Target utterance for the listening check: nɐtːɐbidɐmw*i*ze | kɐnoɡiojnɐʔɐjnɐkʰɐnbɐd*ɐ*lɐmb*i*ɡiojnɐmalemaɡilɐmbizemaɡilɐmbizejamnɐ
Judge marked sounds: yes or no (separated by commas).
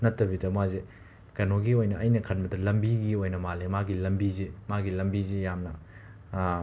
no, yes, yes